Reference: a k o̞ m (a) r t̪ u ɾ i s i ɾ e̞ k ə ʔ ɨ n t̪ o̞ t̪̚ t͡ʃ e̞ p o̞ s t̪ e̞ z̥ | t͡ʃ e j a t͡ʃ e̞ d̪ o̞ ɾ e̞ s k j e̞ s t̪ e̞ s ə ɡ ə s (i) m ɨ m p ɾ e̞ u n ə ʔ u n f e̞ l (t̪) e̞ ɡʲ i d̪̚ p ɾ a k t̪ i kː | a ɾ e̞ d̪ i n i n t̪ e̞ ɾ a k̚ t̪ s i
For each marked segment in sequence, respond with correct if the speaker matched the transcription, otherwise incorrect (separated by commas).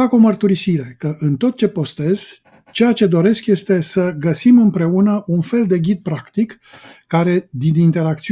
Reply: incorrect, correct, incorrect